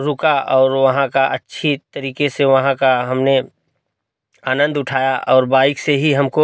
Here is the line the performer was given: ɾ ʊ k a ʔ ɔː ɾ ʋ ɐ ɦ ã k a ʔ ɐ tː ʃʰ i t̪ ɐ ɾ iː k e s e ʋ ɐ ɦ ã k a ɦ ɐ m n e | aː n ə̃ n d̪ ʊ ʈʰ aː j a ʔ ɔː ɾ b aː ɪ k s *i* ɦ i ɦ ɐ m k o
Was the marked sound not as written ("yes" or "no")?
yes